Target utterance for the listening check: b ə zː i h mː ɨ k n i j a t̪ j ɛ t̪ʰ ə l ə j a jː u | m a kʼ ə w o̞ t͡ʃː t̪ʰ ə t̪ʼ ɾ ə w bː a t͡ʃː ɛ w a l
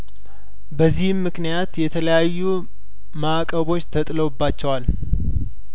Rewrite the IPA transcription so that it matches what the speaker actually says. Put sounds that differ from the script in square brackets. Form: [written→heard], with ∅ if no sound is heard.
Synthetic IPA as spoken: b ə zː i h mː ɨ k n i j a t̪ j ɛ t̪ʰ ə l ə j a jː u | m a kʼ ə [w→β] o̞ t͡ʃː t̪ʰ ə t̪ʼ [ɾ→l] ə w bː a t͡ʃː ɛ w a l